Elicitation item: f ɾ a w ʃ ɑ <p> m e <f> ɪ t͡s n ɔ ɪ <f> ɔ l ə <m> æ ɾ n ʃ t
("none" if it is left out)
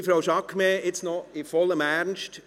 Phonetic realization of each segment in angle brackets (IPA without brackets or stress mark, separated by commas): k, none, f, m